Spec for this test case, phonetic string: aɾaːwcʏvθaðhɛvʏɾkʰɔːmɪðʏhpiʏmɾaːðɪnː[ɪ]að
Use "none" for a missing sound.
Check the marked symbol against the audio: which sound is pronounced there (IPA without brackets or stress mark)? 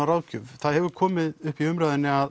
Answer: ɪ